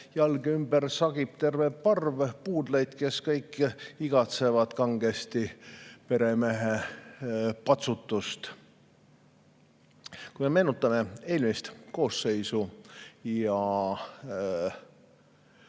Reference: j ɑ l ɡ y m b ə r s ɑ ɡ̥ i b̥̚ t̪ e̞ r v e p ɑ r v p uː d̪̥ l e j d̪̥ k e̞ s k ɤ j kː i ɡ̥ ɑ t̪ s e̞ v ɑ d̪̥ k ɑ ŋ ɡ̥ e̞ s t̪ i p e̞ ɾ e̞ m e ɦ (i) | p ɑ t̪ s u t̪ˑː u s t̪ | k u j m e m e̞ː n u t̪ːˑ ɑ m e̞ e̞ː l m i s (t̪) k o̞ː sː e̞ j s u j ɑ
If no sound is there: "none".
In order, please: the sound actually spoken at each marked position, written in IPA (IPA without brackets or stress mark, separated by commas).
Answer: e, t̪